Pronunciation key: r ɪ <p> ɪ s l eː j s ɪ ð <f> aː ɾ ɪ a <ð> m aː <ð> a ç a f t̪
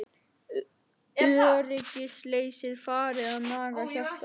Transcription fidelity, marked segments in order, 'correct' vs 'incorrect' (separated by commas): incorrect, correct, correct, incorrect